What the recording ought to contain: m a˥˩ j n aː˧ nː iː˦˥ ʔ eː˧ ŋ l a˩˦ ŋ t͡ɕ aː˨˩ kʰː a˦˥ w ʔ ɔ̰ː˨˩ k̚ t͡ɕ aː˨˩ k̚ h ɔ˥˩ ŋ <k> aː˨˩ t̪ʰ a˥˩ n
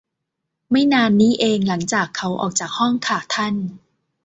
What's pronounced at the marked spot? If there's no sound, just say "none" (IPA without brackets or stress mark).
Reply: kʰ